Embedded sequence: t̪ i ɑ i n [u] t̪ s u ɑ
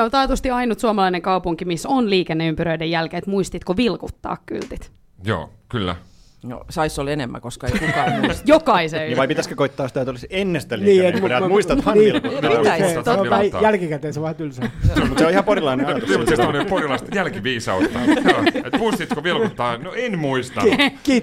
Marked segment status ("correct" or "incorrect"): correct